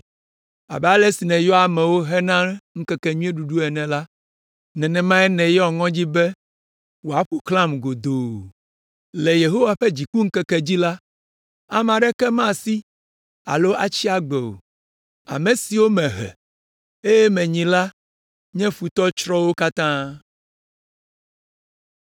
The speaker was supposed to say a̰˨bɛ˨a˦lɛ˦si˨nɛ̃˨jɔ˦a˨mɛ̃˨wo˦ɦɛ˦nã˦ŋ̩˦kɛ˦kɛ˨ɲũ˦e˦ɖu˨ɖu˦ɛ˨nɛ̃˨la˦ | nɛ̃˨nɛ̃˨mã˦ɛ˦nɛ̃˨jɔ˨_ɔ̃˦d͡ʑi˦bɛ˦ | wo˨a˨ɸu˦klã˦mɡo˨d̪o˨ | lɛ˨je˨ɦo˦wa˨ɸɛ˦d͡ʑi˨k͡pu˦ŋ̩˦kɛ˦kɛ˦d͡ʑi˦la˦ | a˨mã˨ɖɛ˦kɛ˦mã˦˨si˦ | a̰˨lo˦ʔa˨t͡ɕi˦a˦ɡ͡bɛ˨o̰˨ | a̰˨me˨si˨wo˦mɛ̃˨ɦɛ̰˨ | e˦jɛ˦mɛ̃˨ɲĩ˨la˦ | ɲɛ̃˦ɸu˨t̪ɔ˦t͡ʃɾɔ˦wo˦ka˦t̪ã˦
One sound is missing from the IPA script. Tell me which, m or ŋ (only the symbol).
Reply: ŋ